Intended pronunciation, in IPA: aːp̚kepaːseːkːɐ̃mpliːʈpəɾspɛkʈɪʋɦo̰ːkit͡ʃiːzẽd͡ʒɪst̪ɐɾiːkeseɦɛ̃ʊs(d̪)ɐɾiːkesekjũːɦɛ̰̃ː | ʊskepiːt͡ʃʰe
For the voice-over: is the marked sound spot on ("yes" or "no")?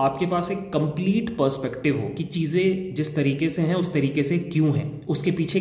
no